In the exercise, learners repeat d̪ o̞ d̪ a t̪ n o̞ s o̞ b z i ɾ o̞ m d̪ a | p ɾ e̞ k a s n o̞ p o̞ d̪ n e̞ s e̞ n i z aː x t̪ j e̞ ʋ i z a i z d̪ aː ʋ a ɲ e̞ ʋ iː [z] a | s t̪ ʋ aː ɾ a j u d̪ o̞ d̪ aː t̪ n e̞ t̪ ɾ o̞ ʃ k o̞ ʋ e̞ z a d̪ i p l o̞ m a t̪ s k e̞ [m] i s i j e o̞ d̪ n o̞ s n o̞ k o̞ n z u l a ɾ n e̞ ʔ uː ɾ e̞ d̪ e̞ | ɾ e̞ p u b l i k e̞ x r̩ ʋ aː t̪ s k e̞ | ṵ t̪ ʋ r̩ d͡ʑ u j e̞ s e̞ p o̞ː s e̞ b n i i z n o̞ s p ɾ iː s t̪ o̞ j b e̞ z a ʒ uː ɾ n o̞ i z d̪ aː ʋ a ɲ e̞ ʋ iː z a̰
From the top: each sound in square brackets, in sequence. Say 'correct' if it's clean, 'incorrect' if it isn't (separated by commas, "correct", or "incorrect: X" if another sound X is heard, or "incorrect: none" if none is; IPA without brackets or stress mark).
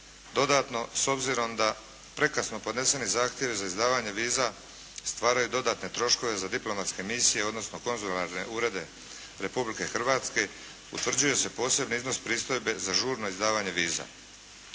correct, correct